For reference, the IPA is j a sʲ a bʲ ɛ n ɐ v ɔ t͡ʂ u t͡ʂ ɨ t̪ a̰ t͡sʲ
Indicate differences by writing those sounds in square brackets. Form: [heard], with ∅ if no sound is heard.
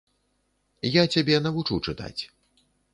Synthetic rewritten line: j a [t͡sʲ] a bʲ ɛ n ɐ v [u] t͡ʂ u t͡ʂ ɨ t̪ a̰ t͡sʲ